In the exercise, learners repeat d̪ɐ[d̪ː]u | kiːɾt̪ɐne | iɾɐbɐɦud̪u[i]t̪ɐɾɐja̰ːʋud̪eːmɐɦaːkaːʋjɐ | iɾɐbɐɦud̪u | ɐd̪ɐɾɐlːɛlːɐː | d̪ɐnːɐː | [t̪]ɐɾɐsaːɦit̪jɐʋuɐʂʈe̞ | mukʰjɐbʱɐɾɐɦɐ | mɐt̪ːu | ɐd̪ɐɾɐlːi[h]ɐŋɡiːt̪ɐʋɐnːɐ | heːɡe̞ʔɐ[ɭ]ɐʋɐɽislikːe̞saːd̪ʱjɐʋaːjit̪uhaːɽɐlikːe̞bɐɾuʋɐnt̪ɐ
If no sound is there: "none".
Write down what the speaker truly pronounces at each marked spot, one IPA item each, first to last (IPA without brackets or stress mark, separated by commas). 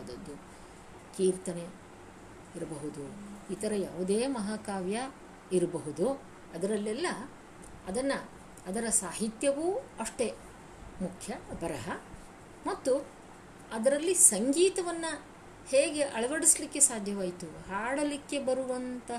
d̪ː, i, d̪, s, ɭ